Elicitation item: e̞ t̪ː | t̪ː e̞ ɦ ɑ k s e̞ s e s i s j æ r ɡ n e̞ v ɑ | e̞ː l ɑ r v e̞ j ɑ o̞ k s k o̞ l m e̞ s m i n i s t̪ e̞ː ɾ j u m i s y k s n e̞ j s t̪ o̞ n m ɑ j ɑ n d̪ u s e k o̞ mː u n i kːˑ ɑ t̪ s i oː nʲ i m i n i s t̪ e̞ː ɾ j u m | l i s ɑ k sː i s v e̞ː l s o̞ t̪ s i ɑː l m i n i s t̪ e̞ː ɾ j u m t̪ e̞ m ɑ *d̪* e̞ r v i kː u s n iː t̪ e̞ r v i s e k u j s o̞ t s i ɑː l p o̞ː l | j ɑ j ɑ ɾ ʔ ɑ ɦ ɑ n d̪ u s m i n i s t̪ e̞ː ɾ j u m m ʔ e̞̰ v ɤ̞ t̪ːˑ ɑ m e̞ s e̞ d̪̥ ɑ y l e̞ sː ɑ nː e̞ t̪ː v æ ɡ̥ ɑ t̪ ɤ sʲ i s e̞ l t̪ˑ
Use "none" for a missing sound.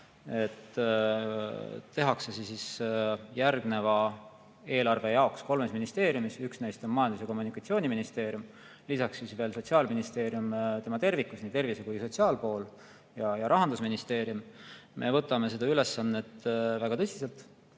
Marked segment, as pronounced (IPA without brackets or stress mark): t̪